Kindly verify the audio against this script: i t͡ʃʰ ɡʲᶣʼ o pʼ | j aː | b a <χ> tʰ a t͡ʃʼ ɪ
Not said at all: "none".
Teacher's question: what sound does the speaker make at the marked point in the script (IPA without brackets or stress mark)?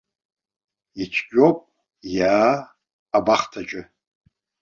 χ